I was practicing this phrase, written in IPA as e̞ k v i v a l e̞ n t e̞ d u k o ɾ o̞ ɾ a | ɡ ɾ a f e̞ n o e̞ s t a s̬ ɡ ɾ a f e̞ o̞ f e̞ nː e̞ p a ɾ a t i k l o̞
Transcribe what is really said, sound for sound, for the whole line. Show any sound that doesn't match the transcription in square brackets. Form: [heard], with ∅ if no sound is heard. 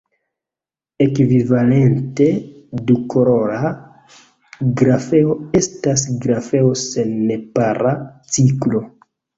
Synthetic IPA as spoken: e̞ k v i v a l e̞ n t e̞ d u k o ɾ o̞ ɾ a | ɡ ɾ a f e̞ [∅] o e̞ s t a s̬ ɡ ɾ a f e̞ o̞ [s] e̞ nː e̞ p a ɾ a [t͡s] i k l o̞